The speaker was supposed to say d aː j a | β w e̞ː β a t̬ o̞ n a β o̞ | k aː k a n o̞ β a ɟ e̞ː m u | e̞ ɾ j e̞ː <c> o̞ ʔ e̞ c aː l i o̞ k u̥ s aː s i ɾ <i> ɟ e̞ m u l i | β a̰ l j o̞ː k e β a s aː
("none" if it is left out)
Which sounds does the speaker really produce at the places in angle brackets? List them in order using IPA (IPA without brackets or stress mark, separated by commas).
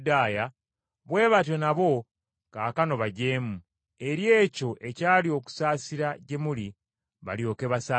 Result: c, a